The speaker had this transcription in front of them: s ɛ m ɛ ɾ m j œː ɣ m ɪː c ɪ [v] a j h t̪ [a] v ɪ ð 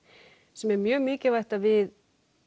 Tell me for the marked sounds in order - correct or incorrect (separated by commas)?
correct, correct